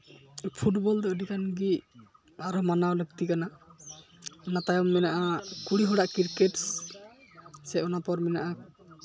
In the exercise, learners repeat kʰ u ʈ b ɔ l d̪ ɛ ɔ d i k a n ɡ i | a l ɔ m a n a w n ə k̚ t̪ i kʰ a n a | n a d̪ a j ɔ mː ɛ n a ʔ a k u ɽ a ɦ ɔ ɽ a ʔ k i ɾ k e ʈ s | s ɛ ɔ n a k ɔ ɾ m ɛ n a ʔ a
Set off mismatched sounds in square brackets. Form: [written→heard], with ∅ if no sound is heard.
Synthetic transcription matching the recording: [kʰ→pʰ] u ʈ b ɔ l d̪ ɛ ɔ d i k a n ɡ i | a [l→ɾ] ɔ m a n a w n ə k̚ t̪ i [kʰ→k] a n a | n a [d̪→t̪] a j ɔ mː ɛ n a ʔ a k u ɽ [a→i] ɦ ɔ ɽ a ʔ k i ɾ k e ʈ s | s ɛ ɔ n a [k→p] ɔ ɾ m ɛ n a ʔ a